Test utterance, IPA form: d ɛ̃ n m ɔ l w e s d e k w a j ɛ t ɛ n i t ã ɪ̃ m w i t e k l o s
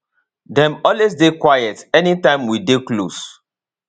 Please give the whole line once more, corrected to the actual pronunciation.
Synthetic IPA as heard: d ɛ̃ m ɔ l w e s d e k w a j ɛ t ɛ n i t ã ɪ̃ m w i d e k l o s